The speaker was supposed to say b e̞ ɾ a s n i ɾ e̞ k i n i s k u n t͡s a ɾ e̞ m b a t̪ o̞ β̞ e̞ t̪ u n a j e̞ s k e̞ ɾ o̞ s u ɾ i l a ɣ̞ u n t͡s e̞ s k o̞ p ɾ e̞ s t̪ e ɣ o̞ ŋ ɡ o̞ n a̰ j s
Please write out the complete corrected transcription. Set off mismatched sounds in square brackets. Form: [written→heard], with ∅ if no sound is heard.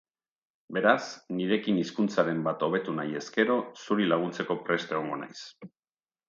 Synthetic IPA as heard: b e̞ ɾ a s n i ɾ e̞ k i n i s k u n t͡s a ɾ e̞ m b a t̪ o̞ β̞ e̞ t̪ u n a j e̞ s k e̞ ɾ o̞ s u ɾ i l a ɣ̞ u n t͡s e̞ [s→∅] k o̞ p ɾ e̞ s t̪ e ɣ o̞ ŋ ɡ o̞ n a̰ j s